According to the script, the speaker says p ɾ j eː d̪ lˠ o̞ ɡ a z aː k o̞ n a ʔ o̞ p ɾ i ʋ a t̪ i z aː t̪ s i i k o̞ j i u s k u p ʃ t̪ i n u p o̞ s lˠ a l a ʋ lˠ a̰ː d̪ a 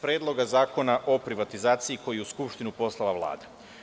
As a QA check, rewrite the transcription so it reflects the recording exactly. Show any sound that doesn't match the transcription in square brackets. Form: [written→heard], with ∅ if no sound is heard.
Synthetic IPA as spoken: p ɾ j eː d̪ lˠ o̞ ɡ a z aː k o̞ n a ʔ o̞ p ɾ i ʋ a t̪ i z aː t̪ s i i k o̞ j i u s k u p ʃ t̪ i n u p o̞ s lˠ a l a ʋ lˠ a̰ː d̪ a